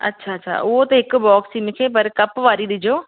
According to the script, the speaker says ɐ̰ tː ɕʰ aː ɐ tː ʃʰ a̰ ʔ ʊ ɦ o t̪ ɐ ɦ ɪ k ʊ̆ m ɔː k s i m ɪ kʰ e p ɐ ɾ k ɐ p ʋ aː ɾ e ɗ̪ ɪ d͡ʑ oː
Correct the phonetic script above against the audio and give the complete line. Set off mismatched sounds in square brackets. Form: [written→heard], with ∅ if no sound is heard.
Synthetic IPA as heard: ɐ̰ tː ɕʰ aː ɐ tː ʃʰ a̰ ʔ ʊ ɦ o t̪ ɐ ɦ ɪ k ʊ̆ [m→b] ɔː k s i m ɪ kʰ e p ɐ ɾ k ɐ p ʋ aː ɾ [e→i] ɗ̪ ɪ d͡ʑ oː